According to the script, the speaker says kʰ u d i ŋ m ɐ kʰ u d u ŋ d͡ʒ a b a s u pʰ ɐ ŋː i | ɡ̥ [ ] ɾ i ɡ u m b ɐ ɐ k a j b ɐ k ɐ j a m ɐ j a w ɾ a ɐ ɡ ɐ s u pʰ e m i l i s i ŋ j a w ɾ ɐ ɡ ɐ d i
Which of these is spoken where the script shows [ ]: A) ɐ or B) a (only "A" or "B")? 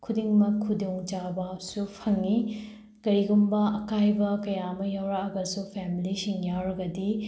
A